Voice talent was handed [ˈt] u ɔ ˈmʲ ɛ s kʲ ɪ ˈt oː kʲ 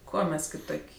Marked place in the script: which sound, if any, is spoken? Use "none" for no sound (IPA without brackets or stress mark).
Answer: k